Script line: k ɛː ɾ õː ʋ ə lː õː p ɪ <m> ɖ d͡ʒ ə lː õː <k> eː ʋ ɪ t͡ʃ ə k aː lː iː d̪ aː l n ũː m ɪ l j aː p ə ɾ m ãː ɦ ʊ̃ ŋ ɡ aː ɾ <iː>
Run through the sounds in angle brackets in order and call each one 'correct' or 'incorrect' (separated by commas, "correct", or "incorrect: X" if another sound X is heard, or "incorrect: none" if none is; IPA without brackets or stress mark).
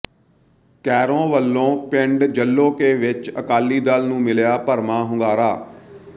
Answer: incorrect: ɳ, correct, incorrect: aː